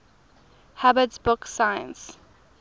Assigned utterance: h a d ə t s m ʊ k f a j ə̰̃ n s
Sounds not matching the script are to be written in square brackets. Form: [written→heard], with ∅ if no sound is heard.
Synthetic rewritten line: h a [d→b] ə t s [m→b] ʊ k [f→s] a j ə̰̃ n s

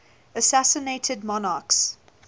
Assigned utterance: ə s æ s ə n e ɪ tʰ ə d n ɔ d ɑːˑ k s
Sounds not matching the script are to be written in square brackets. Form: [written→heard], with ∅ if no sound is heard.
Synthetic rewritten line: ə s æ s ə n e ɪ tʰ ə d [n→m] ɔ [d→n] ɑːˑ k s

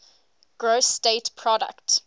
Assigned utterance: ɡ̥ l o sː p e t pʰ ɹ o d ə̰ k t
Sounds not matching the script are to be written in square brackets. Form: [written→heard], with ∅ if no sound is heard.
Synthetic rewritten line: ɡ̥ [l→ɹ] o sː [p→t] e t pʰ ɹ [o→ɔ] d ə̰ k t

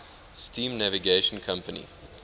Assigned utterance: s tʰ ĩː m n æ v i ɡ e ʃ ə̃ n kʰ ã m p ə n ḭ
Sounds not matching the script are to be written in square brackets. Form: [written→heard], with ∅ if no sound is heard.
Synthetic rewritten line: s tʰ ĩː m n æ v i ɡ e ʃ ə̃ n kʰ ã m p ə n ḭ

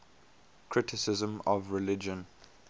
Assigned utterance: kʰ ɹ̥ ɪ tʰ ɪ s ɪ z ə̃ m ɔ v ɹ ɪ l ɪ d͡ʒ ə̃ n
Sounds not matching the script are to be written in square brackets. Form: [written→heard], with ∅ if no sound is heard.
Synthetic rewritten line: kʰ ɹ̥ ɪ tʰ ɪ s ɪ z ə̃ m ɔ v ɹ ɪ l ɪ d͡ʒ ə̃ n

